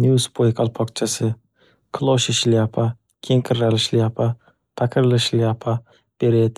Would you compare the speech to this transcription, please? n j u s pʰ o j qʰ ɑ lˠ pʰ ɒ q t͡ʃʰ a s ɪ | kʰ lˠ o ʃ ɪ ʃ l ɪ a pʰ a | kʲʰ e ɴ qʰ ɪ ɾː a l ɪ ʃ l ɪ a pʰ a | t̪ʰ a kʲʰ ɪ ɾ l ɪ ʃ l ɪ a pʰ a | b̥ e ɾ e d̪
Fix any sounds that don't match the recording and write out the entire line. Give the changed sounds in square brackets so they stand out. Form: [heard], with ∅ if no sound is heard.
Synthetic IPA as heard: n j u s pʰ o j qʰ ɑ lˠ pʰ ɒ q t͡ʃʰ a s ɪ | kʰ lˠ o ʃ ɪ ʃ l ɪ a pʰ a | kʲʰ e [ŋ] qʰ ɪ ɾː a l ɪ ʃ l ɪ a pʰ a | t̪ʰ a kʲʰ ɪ ɾ l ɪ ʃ l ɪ a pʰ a | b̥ e ɾ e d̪